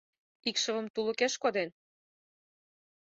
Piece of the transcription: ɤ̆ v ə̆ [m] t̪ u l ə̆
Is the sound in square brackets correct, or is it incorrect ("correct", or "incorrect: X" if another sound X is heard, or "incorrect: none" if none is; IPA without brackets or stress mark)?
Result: correct